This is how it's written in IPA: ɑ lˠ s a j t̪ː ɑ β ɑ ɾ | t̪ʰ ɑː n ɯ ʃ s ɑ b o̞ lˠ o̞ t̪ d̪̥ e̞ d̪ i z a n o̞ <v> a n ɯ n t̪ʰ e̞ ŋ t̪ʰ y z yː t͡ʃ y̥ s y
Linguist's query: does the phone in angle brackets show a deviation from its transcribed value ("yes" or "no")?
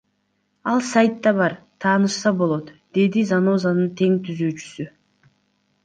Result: yes